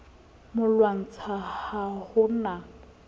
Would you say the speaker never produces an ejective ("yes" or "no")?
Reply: yes